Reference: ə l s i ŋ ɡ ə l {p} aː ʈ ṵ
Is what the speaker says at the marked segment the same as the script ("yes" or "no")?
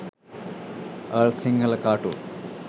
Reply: no